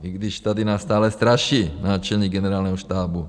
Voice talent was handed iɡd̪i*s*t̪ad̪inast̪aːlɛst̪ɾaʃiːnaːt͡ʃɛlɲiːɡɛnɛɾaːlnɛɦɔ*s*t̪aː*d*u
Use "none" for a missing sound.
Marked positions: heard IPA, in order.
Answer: ʃ, ʃ, b

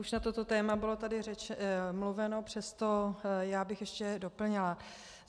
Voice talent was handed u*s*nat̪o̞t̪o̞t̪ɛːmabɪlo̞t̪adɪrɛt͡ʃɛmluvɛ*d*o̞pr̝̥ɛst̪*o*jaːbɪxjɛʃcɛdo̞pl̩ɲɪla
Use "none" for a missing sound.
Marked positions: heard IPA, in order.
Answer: ʃ, n, o

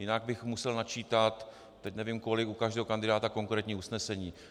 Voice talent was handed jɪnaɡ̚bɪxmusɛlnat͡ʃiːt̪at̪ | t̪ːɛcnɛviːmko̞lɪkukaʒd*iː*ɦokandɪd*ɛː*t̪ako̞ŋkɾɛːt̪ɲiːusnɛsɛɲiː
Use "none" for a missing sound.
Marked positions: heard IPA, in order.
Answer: ɛː, aː

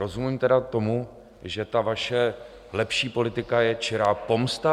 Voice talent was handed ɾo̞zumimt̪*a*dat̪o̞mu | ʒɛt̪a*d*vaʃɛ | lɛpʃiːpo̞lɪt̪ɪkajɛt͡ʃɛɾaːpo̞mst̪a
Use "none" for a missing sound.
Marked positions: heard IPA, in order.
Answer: ɛ, none

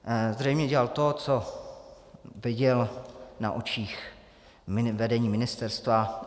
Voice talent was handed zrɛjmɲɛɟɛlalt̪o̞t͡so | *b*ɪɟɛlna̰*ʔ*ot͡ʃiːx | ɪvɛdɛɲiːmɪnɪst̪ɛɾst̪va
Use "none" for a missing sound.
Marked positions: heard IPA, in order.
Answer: v, ʔ

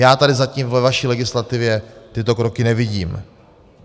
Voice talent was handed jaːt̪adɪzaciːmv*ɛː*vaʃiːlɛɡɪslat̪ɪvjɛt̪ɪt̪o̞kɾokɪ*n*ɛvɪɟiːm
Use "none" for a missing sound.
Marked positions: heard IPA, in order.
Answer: ɛ, n

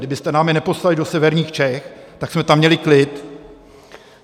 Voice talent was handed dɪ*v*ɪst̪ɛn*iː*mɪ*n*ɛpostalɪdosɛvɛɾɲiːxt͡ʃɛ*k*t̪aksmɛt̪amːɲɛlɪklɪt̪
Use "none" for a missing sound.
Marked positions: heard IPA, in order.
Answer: b, aː, n, x

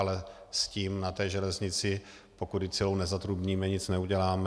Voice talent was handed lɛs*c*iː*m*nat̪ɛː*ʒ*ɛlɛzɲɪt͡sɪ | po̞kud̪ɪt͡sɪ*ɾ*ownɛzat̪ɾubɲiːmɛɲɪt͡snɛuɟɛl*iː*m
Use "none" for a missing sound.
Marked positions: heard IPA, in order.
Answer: c, m, ʒ, l, aː

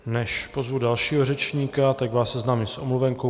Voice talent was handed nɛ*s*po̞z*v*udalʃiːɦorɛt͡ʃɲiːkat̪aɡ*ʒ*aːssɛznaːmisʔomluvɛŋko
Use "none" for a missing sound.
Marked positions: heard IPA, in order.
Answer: ʃ, v, v

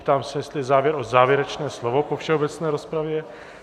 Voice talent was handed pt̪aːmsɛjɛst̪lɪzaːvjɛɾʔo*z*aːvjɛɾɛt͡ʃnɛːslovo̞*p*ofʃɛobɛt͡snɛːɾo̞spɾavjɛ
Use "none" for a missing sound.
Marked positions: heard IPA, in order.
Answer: z, p

